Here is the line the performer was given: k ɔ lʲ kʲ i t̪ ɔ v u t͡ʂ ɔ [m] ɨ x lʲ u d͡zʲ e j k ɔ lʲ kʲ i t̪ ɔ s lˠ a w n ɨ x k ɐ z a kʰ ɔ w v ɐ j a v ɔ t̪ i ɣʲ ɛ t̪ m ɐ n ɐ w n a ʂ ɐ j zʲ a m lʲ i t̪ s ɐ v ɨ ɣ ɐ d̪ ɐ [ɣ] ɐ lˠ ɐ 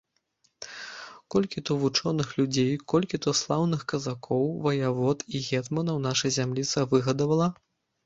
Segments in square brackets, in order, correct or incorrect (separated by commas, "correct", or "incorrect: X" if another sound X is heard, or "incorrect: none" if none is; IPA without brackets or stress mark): incorrect: n, incorrect: v